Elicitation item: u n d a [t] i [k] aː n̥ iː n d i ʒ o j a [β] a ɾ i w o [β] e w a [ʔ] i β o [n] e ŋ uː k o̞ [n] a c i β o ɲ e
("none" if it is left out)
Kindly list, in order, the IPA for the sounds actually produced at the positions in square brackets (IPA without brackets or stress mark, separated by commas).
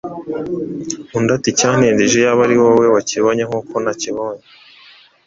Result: t, c, β, w, c, ɲ, n